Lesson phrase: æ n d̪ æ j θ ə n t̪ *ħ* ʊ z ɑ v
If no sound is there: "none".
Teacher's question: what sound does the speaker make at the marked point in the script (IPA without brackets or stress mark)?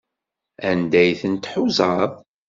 ħ